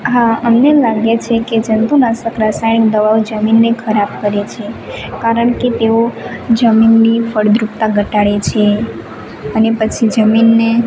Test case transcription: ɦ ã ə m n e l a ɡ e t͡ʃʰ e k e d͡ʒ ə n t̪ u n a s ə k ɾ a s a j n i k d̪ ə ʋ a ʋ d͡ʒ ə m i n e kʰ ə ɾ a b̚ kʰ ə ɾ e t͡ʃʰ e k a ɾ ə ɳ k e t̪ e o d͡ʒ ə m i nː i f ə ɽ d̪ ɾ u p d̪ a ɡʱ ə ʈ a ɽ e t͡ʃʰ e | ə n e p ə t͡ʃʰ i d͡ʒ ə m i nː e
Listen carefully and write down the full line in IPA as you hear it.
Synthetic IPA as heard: ɦ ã ə m n e l a ɡ e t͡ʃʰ e k e d͡ʒ ə n t̪ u n a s ə k ɾ a s a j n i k d̪ ə ʋ a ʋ d͡ʒ ə m i nː e kʰ ə ɾ a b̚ k ə ɾ e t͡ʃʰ e k a ɾ ə ɳ k e t̪ e o d͡ʒ ə m i nː i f ə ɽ d̪ ɾ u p t̪ a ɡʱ ə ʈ a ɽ e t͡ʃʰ e | ə n e p ə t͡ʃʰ i d͡ʒ ə m i nː e